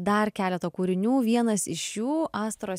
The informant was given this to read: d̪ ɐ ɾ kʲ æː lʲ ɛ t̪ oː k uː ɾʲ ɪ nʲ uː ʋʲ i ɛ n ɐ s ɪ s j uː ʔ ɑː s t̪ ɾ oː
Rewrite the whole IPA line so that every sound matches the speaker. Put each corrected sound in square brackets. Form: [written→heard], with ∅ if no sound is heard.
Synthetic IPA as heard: d̪ ɐ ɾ kʲ æː lʲ ɛ t̪ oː k uː ɾʲ ɪ nʲ uː ʋʲ i ɛ n ɐ s ɪ [s→ʃ] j uː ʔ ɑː s t̪ ɾ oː